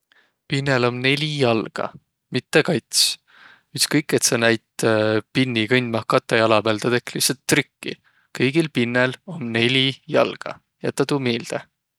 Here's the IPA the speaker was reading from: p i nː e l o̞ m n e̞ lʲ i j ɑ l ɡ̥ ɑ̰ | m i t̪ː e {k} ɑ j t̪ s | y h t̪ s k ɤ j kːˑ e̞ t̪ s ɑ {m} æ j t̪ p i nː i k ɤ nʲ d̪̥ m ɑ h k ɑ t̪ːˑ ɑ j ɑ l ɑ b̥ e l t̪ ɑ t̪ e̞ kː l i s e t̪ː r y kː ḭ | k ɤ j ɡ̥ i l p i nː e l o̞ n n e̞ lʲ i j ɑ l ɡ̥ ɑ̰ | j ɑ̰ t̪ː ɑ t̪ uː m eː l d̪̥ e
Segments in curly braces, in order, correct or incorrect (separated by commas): correct, incorrect